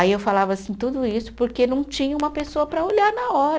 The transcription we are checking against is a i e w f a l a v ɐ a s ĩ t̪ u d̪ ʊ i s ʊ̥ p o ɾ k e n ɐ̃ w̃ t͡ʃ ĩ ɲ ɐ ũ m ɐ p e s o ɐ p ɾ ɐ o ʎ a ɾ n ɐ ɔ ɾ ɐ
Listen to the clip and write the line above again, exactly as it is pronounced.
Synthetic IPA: a i e w f a l a v ɐ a s ĩ t̪ u d̪ ʊ i s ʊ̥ p o ɾ k e n ɐ̃ w̃ t͡ʃ ĩ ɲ ɐ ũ m ɐ p e s o ɐ p ɾ ɐ o ʎ a ɾ n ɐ ɔ ɾ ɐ